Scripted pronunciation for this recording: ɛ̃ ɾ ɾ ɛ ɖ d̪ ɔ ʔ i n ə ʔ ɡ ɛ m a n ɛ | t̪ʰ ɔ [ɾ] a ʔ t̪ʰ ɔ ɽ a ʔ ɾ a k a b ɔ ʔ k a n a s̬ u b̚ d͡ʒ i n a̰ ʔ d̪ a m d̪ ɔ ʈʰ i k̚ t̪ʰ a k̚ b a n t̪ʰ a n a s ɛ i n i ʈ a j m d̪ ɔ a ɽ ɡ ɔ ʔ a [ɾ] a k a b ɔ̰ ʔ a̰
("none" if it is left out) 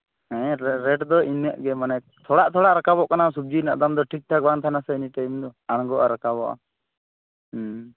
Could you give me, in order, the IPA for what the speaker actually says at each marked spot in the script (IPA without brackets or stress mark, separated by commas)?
ɽ, ɾ